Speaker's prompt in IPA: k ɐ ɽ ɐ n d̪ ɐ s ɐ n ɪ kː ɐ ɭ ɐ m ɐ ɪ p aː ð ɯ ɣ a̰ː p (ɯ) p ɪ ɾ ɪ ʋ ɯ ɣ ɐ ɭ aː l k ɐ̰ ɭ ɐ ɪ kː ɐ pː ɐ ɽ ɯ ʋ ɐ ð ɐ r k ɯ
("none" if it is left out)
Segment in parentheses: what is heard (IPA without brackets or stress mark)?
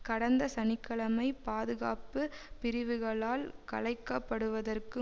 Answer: ɯ